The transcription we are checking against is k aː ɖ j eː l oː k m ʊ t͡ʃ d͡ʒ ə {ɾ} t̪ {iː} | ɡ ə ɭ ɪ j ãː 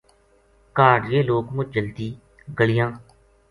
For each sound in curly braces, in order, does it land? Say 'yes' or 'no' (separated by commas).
no, yes